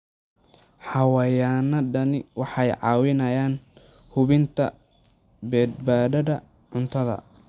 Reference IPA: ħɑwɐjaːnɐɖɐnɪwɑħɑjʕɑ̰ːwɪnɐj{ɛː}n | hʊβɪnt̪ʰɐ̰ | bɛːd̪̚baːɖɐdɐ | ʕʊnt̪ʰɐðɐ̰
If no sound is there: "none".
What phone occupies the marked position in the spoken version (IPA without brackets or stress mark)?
aː